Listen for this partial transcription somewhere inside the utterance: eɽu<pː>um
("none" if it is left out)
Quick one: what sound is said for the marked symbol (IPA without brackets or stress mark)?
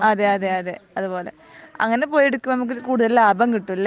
kː